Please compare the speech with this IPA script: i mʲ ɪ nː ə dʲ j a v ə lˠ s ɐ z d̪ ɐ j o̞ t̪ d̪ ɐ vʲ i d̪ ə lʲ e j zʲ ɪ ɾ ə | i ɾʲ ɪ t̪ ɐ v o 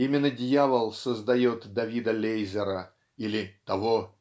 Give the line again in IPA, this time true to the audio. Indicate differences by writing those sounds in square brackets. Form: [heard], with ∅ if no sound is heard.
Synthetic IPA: i mʲ ɪ nː ə dʲ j a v ə lˠ s [ə] z d̪ ɐ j o̞ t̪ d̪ ɐ vʲ i d̪ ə lʲ e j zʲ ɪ ɾ ə | i [lʲ] ɪ t̪ ɐ v o

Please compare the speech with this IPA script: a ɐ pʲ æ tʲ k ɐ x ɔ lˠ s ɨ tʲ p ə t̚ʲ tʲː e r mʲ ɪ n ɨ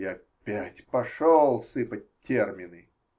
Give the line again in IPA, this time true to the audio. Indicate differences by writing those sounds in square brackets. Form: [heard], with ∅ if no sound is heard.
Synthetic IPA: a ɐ pʲ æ tʲ [p] ɐ [ʂ] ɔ lˠ s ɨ [∅] p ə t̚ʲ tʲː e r mʲ ɪ n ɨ

